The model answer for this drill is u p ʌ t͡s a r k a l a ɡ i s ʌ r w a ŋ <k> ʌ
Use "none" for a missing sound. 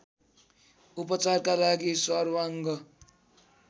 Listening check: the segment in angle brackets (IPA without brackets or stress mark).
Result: ɡ